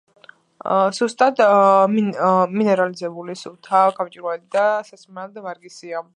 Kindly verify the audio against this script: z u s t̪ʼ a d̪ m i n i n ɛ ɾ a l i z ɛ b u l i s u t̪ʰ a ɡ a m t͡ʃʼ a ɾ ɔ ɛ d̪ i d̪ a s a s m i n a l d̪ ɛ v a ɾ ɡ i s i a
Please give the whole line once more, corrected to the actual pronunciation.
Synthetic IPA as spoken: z u s t̪ʼ a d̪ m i m i n ɛ ɾ a l i z ɛ b u l i s u t̪ʰ a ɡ a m t͡ʃʼ i ɾ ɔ ɛ d̪ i d̪ a s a s m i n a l d̪ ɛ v a ɾ ɡ i s i a